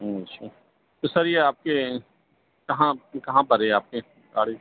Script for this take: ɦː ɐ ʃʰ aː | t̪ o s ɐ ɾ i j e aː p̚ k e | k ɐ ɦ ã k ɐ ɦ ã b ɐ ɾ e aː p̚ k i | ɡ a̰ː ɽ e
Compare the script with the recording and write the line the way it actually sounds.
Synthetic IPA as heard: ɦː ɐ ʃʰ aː | t̪ o s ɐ ɾ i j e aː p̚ k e | k ɐ ɦ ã k ɐ ɦ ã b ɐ ɾ e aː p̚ k e | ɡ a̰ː ɽ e